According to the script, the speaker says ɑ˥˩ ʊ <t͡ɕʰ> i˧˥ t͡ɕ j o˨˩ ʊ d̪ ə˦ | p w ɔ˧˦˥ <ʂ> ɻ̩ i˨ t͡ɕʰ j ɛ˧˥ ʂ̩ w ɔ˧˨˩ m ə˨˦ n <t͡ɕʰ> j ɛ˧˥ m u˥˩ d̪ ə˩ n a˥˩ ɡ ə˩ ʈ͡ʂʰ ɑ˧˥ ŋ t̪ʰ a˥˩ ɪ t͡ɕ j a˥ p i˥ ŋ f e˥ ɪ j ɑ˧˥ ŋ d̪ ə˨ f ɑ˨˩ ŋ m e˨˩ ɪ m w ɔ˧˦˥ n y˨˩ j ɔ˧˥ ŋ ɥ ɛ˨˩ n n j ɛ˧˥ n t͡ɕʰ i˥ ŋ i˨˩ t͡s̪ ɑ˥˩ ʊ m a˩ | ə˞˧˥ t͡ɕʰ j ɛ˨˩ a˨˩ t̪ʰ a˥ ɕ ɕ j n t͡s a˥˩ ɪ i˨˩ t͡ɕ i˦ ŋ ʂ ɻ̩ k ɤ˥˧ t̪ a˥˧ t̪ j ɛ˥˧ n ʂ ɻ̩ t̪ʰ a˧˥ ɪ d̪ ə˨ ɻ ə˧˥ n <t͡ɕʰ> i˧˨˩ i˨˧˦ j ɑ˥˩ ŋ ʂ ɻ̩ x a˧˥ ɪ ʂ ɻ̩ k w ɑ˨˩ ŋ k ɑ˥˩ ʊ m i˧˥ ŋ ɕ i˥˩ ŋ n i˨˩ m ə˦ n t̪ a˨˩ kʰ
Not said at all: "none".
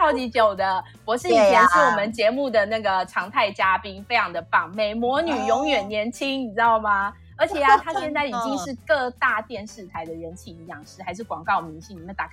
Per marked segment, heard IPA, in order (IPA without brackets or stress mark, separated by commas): t͡ɕ, ʂ, t͡ɕ, t͡ɕʰ